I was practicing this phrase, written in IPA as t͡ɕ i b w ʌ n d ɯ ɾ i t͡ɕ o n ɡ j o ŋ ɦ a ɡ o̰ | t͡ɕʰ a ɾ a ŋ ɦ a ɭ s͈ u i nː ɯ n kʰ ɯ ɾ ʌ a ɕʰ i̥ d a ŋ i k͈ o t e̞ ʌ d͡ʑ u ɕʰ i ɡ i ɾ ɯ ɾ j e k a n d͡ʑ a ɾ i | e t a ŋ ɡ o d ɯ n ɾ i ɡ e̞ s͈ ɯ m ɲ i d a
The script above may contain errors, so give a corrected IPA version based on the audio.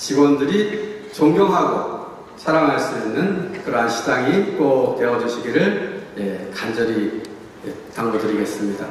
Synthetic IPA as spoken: t͡ɕ i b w ʌ n d ɯ ɾ i t͡ɕ o ŋ ɡ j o ŋ ɦ a ɡ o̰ | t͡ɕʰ a ɾ a ŋ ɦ a ɭ s͈ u i nː ɯ n k ɯ ɾ ʌ a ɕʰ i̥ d a ŋ i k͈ o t e̞ ʌ d͡ʑ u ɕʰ i ɡ i ɾ ɯ ɭ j e k a n d͡ʑ ʌ ɾ i | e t a ŋ ɡ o d ɯ ɾ i ɡ e̞ s͈ ɯ m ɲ i d a

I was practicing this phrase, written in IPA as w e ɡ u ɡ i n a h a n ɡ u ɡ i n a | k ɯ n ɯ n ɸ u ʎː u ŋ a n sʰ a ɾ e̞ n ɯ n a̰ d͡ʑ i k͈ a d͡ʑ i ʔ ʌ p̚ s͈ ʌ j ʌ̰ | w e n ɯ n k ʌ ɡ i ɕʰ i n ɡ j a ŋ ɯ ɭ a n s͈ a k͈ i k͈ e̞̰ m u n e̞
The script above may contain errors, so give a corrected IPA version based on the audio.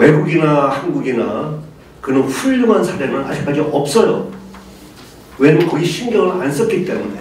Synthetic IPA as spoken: w e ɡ u ɡ i n a h a n ɡ u ɡ i n a | k ɯ n ɯ n ɸ u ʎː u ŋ a n sʰ a ɾ e̞ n ɯ n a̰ d͡ʑ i k͈ a d͡ʑ i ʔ ʌ p̚ s͈ ʌ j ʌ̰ | w e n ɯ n k ʌ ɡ i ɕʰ i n ɡ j ʌ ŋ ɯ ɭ a n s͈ ʌ k͈ i t͈ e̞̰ m u n e̞

